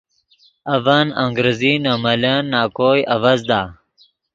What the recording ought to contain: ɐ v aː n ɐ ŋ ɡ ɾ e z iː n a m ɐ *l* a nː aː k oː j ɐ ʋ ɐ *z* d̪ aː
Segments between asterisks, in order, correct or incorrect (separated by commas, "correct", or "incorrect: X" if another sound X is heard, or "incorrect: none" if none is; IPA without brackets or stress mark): correct, correct